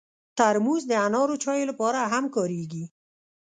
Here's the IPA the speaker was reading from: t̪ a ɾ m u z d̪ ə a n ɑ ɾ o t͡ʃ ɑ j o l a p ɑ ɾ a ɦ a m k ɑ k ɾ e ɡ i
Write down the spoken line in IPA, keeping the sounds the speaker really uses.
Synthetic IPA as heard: t̪ a ɾ m u z d̪ ə a n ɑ ɾ o t͡ʃ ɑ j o l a p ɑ ɾ a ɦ a m k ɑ ɾ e ɡ i